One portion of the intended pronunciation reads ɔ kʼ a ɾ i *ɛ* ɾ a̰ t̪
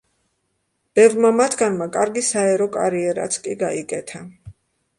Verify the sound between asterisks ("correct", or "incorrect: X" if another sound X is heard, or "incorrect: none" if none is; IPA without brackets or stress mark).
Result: correct